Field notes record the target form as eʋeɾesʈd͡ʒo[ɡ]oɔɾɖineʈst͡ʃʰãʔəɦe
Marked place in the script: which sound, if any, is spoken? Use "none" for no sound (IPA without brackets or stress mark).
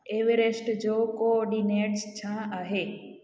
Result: k